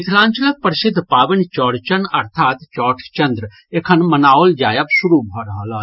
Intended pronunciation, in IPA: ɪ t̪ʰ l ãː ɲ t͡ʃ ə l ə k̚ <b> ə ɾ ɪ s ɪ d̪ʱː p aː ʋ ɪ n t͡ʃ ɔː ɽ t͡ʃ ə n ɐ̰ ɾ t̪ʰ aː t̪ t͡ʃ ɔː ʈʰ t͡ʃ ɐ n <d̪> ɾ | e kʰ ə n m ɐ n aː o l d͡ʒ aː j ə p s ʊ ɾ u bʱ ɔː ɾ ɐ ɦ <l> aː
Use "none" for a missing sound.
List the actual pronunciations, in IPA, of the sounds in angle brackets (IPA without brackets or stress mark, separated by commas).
p, d̪, l